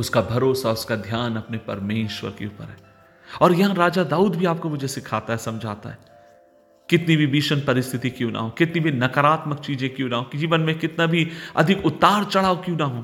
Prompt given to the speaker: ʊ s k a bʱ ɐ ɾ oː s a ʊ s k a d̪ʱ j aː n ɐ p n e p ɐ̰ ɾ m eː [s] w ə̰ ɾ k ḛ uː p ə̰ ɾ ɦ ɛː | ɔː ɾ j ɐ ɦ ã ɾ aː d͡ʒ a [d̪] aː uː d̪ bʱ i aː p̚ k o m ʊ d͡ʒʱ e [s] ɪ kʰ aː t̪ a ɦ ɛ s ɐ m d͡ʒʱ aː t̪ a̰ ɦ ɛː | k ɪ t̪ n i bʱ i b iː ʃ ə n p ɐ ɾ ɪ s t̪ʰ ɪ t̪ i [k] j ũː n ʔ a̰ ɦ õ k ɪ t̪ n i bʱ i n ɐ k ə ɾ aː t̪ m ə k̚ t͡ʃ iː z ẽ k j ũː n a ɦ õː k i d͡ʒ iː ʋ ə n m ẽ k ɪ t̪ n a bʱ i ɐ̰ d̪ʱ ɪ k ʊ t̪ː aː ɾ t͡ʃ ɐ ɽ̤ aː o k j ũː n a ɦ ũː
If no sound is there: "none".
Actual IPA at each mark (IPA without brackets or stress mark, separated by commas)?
ʃ, d̪, s, k